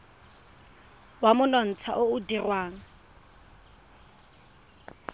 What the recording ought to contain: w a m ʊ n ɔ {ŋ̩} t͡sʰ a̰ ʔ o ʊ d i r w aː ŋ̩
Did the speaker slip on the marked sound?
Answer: yes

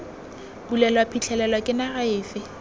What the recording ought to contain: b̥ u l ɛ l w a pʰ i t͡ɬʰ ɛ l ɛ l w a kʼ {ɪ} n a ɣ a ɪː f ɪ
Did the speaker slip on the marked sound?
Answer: no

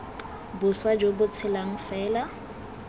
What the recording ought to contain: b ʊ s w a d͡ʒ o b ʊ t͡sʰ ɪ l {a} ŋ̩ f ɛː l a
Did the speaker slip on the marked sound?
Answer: no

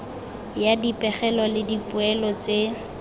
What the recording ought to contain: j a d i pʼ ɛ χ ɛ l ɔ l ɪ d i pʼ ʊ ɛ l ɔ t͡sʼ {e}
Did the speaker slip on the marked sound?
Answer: no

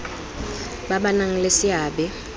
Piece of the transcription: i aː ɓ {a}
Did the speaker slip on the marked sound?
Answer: yes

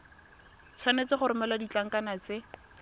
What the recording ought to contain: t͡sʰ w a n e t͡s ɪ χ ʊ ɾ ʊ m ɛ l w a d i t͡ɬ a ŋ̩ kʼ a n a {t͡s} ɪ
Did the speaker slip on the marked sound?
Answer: no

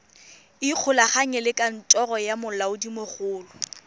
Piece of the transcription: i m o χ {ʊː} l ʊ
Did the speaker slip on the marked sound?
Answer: no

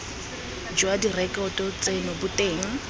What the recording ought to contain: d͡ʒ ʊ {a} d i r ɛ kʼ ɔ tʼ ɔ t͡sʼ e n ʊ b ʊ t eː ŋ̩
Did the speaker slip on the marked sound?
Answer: no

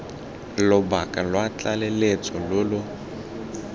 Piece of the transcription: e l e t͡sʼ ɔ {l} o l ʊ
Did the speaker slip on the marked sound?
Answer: no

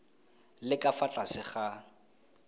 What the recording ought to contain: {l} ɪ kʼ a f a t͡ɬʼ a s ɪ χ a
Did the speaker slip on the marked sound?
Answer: no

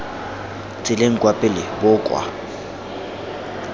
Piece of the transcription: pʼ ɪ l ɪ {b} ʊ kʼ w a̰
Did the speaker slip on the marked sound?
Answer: no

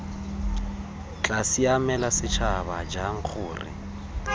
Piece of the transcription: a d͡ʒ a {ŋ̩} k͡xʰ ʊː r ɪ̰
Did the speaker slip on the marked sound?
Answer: no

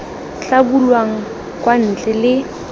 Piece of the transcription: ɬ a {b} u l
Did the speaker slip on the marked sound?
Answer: no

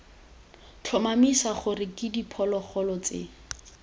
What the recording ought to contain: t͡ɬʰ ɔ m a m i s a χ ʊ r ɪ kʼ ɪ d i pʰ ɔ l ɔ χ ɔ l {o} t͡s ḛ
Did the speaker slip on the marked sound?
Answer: yes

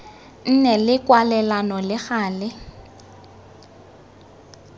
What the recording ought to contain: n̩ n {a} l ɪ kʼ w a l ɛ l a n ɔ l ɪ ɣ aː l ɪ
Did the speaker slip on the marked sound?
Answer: yes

